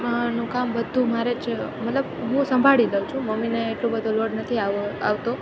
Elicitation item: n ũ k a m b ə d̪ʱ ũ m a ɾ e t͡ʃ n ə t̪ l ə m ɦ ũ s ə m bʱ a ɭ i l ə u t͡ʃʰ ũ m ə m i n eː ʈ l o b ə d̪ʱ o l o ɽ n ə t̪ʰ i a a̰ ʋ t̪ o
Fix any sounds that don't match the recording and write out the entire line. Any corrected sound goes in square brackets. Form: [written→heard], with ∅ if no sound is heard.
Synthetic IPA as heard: n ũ k a m b ə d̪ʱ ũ m a ɾ e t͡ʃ [n→m] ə t̪ l ə [m→b] ɦ ũ s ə m bʱ a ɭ i l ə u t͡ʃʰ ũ m ə m i n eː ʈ l o b ə d̪ʱ o l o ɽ n ə t̪ʰ i a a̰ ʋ t̪ o

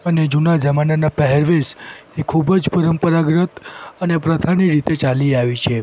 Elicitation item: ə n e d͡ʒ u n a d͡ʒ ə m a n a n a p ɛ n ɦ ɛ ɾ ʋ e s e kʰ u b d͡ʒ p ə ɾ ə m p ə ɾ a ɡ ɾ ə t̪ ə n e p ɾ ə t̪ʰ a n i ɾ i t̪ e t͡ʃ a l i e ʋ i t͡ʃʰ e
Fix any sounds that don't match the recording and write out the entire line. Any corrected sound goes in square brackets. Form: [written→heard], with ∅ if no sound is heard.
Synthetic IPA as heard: ə n e d͡ʒ u n a d͡ʒ ə m a n a n a p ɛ [n→∅] ɦ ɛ ɾ ʋ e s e kʰ u b d͡ʒ p ə ɾ ə m p ə ɾ a ɡ ɾ ə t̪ ə n e p ɾ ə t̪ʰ a n i ɾ i t̪ e t͡ʃ a l i [e→a] ʋ i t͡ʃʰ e

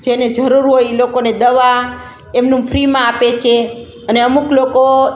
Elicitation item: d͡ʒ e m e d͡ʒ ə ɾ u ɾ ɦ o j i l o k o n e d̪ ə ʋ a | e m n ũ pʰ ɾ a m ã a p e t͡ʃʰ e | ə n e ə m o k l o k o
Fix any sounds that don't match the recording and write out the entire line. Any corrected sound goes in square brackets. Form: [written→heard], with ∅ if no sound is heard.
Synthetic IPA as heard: d͡ʒ e [m→n] e d͡ʒ ə ɾ u ɾ ɦ o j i l o k o n e d̪ ə ʋ a | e m n ũ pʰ ɾ [a→i] m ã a p e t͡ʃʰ e | ə n e ə m [o→u] k l o k o

